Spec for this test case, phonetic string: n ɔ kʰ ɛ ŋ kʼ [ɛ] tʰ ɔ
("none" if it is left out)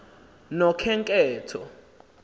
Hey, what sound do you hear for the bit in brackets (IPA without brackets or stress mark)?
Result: ɛː